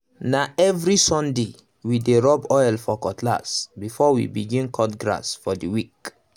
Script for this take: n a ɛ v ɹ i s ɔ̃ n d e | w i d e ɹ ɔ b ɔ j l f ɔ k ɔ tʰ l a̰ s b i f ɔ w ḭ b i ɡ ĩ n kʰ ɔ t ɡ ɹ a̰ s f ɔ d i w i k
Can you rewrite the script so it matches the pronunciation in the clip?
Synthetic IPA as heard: n a ɛ v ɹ i s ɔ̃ n d e | w i d e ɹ ɔ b ɔ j l f ɔ k ɔ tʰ l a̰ s b i f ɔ w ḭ b i ɡ ĩ n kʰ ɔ t ɡ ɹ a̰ s f ɔ d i w i k